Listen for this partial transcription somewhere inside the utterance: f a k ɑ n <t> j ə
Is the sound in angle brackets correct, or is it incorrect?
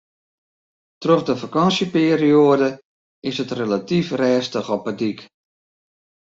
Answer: incorrect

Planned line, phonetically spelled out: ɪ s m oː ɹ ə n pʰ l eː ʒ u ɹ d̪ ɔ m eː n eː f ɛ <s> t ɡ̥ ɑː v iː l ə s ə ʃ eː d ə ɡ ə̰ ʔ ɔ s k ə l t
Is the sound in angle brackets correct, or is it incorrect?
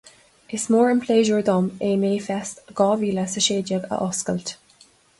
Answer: correct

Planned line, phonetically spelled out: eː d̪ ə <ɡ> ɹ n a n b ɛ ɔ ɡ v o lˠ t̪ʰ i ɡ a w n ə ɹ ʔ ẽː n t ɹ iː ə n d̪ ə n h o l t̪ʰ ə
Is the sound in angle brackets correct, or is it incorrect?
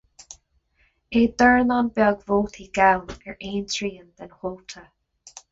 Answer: incorrect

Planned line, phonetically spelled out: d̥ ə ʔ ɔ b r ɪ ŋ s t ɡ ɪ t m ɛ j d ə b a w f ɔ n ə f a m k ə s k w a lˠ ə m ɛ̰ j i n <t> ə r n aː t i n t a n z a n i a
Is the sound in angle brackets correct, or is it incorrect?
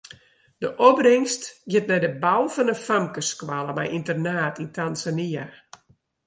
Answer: correct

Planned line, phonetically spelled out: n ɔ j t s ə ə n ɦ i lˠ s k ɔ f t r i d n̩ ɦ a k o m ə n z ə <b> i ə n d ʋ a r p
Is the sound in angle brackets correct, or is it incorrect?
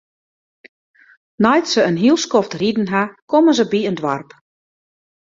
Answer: correct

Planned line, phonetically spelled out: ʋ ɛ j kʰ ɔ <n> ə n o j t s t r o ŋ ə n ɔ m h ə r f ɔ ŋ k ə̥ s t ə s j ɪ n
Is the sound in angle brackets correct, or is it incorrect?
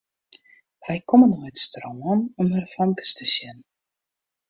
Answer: incorrect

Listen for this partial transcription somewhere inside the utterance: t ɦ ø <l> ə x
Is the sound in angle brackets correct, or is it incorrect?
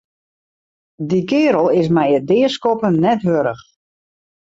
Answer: incorrect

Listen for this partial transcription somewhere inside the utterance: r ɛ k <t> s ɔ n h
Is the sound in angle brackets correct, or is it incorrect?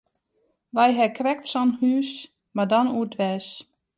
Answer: correct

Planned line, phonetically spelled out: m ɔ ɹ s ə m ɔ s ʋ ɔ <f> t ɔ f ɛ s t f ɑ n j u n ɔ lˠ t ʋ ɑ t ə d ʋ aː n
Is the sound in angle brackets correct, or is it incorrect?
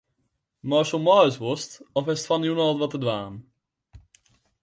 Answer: incorrect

